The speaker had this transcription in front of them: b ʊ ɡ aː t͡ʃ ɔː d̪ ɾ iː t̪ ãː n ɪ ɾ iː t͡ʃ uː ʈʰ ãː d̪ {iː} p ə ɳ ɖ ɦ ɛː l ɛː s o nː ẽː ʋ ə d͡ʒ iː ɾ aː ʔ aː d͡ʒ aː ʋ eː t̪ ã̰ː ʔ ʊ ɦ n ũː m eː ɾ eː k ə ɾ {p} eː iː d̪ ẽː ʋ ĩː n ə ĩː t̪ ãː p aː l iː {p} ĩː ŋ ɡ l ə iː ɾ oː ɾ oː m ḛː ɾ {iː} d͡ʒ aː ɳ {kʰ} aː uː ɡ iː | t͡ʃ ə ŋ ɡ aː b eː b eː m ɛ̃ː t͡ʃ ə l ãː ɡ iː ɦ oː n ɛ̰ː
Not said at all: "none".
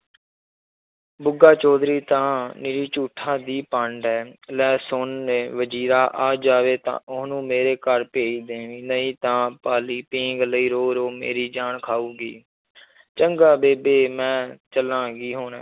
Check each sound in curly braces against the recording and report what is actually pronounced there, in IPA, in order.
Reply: iː, p, p, iː, kʰ

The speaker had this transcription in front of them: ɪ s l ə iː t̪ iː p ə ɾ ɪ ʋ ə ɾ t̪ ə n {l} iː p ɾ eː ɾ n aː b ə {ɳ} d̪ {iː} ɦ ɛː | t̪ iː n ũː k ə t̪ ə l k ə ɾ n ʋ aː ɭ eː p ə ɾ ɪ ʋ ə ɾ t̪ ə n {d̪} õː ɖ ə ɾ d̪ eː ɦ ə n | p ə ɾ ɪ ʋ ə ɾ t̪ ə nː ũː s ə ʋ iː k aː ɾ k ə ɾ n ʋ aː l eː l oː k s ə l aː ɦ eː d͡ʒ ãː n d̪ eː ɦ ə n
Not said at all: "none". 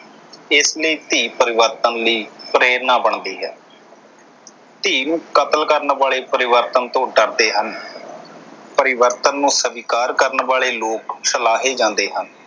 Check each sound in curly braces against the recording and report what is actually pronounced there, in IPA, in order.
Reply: l, ɳ, iː, t̪

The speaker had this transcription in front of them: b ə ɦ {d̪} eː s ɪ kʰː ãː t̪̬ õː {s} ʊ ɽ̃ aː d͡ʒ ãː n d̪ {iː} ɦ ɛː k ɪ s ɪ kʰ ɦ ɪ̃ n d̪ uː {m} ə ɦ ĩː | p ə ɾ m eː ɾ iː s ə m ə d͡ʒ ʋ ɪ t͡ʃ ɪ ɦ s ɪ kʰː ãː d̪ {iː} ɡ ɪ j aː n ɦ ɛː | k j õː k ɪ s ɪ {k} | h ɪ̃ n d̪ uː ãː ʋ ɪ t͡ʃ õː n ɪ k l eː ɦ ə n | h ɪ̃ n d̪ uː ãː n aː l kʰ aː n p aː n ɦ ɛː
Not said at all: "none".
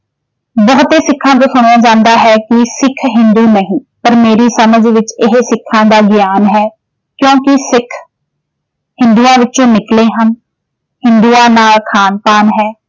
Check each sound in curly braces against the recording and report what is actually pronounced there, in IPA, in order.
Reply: t̪, s, aː, n, aː, kʰ

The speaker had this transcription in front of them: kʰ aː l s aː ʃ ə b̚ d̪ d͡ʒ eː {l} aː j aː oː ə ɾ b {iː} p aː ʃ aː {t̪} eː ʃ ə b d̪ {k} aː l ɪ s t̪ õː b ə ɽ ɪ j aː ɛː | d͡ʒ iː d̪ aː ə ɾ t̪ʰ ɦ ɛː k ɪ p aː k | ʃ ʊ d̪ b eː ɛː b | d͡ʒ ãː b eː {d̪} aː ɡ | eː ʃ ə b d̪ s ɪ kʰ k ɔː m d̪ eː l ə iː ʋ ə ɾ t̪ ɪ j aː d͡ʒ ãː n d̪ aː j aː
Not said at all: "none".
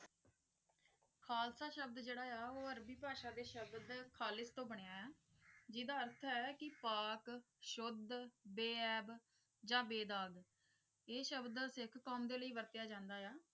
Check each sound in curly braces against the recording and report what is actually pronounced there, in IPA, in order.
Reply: ɽ, iː, d̪, kʰ, d̪

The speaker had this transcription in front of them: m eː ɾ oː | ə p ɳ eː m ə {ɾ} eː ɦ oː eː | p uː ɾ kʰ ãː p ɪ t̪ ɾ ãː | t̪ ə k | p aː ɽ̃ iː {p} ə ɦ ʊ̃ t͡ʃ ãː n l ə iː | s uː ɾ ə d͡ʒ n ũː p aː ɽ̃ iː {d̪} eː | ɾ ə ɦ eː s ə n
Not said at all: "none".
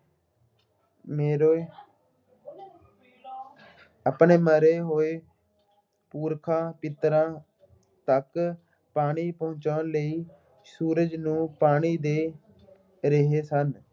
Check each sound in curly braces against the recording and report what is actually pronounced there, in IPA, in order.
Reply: ɾ, p, d̪

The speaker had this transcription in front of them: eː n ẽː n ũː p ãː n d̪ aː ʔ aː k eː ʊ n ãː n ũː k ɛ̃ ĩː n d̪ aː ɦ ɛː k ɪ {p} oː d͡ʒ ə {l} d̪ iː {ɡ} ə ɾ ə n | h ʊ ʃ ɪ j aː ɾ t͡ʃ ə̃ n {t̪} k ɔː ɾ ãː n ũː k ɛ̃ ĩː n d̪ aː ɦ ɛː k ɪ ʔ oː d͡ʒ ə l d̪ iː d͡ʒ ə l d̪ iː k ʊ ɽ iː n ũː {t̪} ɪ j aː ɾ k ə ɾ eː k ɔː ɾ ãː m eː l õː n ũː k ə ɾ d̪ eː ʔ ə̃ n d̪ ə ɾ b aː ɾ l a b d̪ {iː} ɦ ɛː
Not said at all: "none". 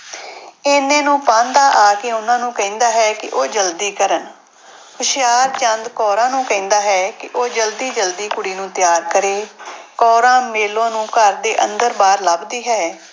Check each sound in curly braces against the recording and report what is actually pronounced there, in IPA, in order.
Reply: ʔ, l, k, d̪, t̪, iː

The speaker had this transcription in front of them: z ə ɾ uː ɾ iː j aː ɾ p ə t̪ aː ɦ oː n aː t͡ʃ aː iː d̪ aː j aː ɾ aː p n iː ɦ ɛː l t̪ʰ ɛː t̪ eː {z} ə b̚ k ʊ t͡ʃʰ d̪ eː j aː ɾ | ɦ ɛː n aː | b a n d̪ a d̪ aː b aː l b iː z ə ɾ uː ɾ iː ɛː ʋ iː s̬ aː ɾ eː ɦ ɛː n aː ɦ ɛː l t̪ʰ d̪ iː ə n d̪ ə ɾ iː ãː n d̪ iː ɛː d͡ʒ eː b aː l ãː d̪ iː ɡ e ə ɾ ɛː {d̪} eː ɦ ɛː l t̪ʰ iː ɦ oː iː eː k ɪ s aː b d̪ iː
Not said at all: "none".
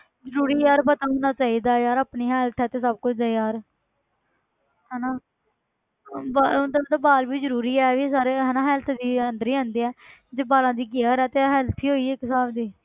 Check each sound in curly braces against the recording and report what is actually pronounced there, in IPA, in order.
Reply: s, t̪

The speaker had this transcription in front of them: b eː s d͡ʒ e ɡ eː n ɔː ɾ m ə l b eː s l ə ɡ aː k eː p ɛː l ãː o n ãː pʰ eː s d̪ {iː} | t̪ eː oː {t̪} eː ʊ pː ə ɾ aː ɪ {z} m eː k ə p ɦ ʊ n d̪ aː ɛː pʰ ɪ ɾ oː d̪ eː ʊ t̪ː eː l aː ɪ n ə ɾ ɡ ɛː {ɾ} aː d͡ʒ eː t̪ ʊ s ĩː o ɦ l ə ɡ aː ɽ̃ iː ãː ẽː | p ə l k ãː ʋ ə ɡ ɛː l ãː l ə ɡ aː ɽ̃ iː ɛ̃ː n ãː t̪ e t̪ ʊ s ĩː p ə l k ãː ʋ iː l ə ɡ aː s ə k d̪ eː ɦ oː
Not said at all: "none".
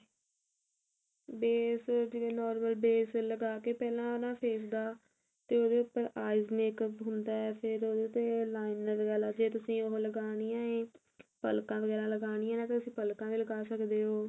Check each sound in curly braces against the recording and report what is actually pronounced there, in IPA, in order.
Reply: aː, d̪, z, l

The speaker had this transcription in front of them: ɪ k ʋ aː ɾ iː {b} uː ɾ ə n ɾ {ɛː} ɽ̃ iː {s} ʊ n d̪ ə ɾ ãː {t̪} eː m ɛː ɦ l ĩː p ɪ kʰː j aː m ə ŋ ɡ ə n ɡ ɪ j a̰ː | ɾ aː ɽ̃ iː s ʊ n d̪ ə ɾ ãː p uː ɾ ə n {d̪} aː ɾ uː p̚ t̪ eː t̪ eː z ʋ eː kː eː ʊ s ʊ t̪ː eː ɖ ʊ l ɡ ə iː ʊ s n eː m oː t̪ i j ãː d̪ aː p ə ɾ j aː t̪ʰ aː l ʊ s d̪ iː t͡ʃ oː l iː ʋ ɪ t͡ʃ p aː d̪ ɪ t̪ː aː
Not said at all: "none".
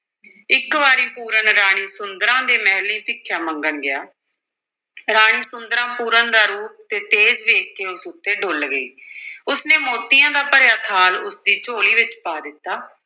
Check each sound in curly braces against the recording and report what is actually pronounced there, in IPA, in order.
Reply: p, aː, s, d̪, d̪

